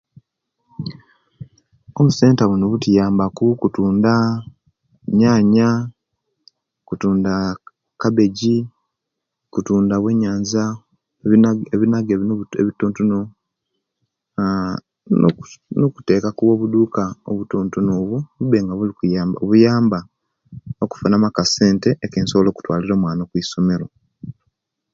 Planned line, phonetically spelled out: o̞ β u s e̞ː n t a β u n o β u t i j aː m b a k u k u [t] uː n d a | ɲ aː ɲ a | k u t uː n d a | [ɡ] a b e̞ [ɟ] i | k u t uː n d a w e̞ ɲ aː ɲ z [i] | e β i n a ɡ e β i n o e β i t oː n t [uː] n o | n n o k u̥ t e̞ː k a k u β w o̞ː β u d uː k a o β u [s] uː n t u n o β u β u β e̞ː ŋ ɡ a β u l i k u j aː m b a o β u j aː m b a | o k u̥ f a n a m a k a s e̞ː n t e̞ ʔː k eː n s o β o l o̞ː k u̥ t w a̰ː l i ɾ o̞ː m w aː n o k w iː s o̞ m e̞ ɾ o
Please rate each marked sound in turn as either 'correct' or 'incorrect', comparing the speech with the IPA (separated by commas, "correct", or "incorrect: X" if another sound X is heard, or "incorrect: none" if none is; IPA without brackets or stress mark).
correct, incorrect: k, correct, incorrect: a, incorrect: u, incorrect: t